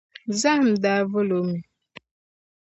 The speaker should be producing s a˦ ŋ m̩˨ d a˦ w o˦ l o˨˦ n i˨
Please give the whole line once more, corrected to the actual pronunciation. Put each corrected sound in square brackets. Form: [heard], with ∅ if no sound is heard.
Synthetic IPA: [z] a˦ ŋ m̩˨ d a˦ [v] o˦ l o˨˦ [m] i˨